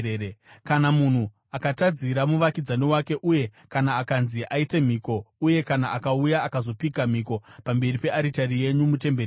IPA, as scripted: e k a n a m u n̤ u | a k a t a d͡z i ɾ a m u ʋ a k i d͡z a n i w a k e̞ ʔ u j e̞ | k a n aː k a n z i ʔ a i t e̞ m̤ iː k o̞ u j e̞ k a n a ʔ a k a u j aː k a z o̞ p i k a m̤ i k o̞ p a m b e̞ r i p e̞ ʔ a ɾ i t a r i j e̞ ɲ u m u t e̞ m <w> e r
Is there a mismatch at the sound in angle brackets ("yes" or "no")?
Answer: yes